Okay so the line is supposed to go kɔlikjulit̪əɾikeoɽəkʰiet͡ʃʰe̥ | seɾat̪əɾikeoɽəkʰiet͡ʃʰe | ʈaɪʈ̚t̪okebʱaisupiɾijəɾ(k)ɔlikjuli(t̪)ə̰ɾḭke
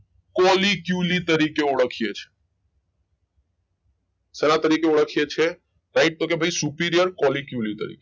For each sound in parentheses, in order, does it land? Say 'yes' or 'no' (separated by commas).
yes, yes